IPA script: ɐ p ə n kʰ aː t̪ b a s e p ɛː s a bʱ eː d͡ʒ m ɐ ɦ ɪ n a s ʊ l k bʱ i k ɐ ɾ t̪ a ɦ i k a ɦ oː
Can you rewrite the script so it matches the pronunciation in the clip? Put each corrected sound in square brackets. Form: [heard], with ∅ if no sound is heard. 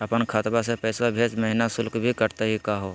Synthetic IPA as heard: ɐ p ə n kʰ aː t̪ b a s e p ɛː s a bʱ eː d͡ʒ m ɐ ɦ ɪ n a s ʊ l k bʱ i k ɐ ɾ t̪ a ɦ i k a ɦ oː